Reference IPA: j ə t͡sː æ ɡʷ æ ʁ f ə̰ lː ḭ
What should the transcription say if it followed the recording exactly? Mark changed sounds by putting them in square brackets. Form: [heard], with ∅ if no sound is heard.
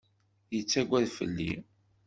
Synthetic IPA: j ə t͡sː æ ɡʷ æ [ð] f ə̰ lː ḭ